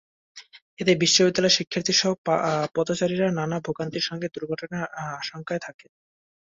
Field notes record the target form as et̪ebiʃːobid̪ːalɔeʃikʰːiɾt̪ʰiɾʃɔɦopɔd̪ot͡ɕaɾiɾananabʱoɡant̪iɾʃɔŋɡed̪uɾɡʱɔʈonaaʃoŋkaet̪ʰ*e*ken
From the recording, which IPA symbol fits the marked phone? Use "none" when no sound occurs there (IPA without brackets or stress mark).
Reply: a